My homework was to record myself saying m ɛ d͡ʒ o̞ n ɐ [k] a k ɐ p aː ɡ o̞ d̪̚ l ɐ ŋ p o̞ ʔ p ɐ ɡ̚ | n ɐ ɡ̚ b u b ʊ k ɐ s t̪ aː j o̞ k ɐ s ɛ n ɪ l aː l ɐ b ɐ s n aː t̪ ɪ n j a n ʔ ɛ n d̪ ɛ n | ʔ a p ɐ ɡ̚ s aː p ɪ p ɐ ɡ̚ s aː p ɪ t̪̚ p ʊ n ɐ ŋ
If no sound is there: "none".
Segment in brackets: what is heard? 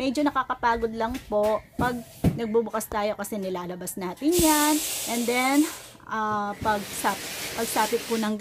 k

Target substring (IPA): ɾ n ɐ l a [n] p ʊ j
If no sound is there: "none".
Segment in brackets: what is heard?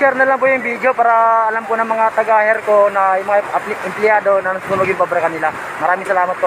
ŋ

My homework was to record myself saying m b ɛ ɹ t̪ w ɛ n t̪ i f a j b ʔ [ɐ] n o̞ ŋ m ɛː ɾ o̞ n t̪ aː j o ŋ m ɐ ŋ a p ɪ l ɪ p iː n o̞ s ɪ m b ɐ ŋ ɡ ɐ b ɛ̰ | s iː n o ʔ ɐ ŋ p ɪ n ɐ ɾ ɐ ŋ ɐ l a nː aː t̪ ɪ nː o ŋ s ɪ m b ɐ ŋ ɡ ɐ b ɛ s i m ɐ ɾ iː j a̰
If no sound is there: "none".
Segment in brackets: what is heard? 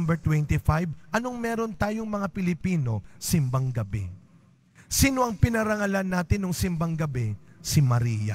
ɐ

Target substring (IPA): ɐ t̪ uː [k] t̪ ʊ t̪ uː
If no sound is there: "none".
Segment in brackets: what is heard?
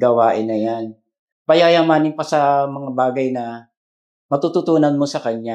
none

